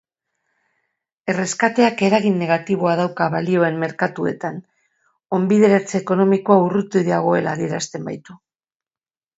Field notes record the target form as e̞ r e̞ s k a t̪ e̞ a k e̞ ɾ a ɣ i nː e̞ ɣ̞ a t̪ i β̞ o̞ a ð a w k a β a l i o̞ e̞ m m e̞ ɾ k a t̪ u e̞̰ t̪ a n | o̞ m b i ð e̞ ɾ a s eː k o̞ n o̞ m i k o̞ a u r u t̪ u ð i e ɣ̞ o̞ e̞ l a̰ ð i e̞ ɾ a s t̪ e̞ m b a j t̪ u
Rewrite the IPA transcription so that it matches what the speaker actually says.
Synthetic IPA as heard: e̞ r e̞ s k a t̪ e̞ a k e̞ ɾ a ɣ i nː e̞ ɣ̞ a t̪ i β̞ o̞ a ð a w k a β a l i o̞ e̞ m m e̞ ɾ k a t̪ u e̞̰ t̪ a n | o̞ m b i ð e̞ ɾ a t͡s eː k o̞ n o̞ m i k o̞ a u r u t̪ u ð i a ɣ̞ o̞ e̞ l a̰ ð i e̞ ɾ a s t̪ e̞ m b a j t̪ u

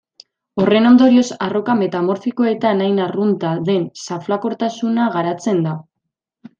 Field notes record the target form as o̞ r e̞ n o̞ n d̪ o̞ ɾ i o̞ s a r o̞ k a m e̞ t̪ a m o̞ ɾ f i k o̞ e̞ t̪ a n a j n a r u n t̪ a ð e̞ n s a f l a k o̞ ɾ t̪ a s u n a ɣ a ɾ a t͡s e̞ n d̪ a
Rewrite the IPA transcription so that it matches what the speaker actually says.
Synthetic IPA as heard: o̞ r e̞ n o̞ n d̪ o̞ ɾ i o̞ s a r o̞ k a m e̞ t̪ a m o̞ ɾ f i k o̞ e̞ t̪ a n a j n a r u n t̪ a ð e̞ n s a f l a k o̞ ɾ t̪ a s u n a ɣ a ɾ a t͡s e̞ n d̪ a

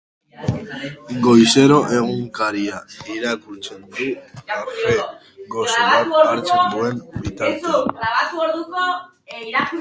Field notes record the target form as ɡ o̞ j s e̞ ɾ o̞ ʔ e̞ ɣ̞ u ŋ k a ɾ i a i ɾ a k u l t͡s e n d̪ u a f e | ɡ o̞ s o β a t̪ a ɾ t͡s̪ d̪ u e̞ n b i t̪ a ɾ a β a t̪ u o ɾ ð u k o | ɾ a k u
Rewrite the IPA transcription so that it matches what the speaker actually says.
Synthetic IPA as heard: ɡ o̞ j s e̞ ɾ o̞ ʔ e̞ ɣ̞ u ŋ k a ɾ i a i ɾ a k u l t͡s e n d̪ u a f e | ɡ o̞ s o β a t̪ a ɾ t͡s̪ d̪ u e̞ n b i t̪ a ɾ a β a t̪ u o ɾ ð u k o | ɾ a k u

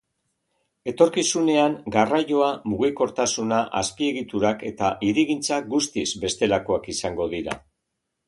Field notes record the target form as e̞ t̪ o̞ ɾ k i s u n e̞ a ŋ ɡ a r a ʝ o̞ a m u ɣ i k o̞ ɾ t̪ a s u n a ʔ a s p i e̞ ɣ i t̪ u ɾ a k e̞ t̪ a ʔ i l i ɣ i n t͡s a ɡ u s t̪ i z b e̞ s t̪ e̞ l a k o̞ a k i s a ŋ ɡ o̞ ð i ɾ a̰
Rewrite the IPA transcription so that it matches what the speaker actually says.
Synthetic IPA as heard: e̞ t̪ o̞ ɾ k i s u n e̞ a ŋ ɡ a r a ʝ o̞ a m u ɣ i k o̞ ɾ t̪ a s u n a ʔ a s p i e̞ ɣ i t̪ u ɾ a k e̞ t̪ a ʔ i ɾ i ɣ i n t͡s a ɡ u s t̪ i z b e̞ s t̪ e̞ l a k o̞ a k i s a ŋ ɡ o̞ ð i ɾ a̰

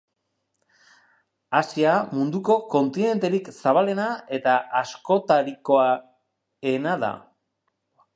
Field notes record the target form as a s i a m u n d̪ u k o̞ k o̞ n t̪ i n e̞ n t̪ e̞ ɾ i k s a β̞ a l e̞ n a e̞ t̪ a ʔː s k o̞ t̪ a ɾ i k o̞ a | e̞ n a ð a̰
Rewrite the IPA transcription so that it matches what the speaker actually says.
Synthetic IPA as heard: a s i a m u n d̪ u k o̞ k o̞ n t̪ i n e̞ n t̪ e̞ ɾ i k s a β̞ a l e̞ n a e̞ t̪ a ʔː s k o̞ t̪ a ɾ i k o̞ a | e̞ n a ð a̰

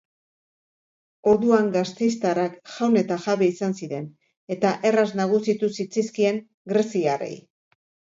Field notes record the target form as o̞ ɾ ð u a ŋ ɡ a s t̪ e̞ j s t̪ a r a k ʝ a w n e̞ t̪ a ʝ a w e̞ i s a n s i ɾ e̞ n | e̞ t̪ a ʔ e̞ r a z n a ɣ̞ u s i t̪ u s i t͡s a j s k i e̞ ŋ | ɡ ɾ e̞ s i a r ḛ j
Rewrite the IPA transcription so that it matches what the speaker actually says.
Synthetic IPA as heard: o̞ ɾ ð u a ŋ ɡ a s t̪ e̞ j s t̪ a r a k ʝ a w n e̞ t̪ a ʝ a β e̞ i s a n s i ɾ e̞ n | e̞ t̪ a ʔ e̞ r a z n a ɣ̞ u s i t̪ u s i t͡s a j s k i e̞ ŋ | ɡ ɾ e̞ s i a r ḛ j

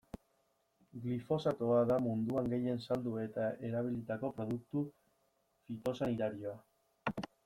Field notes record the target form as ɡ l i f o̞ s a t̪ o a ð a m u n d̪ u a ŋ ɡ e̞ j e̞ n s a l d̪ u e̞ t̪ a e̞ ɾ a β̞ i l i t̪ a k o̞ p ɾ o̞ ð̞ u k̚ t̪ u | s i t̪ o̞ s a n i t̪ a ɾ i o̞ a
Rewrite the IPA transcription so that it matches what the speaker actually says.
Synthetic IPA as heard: ɡ l i f o̞ s a t̪ o a ð a m u n d̪ u a ŋ ɡ e̞ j e̞ n s a l d̪ u e̞ t̪ a e̞ ɾ a β̞ i l i t̪ a k o̞ p ɾ o̞ ð̞ u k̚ t̪ u | f i t̪ o̞ s a n i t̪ a ɾ i o̞ a

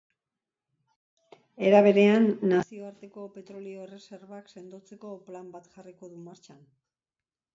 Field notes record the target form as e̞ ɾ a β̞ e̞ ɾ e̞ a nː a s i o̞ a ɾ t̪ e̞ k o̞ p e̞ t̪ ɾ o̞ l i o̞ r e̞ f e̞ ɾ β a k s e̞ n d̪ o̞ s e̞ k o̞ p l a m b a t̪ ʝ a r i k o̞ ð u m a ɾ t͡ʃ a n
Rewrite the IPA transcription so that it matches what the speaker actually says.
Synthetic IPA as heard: e̞ ɾ a β̞ e̞ ɾ e̞ a nː a s i o̞ a ɾ t̪ e̞ k o̞ p e̞ t̪ ɾ o̞ l i o̞ r e̞ s e̞ ɾ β a k s e̞ n d̪ o̞ t͡s e̞ k o̞ p l a m b a t̪ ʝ a r i k o̞ ð u m a ɾ t͡ʃ a n

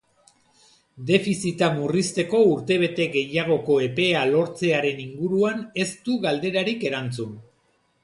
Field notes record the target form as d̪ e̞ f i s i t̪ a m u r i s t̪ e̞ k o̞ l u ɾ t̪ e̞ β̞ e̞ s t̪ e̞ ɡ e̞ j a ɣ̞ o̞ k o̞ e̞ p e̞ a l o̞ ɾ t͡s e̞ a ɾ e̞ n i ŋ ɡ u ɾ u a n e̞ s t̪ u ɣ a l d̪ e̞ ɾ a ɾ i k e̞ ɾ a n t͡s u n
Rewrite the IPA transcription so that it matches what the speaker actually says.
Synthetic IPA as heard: d̪ e̞ f i s i t̪ a m u r i s t̪ e̞ k o̞ u ɾ t̪ e̞ β̞ e̞ t̪ e̞ ɡ e̞ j a ɣ̞ o̞ k o̞ e̞ p e̞ a l o̞ ɾ t͡s e̞ a ɾ e̞ n i ŋ ɡ u ɾ u a n e̞ s t̪ u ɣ a l d̪ e̞ ɾ a ɾ i k e̞ ɾ a n t͡s u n

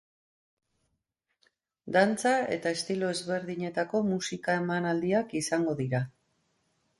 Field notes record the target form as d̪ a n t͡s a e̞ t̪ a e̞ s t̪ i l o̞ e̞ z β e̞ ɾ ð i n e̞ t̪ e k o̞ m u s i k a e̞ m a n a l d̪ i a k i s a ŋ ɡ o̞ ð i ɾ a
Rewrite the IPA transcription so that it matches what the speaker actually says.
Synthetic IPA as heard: d̪ a n t͡s a e̞ t̪ a e̞ s t̪ i l o̞ e̞ z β e̞ ɾ ð i ɲ e̞ t̪ a k o̞ m u s i k a e̞ m a n a l d̪ i a k i s a ŋ ɡ o̞ ð i ɾ a

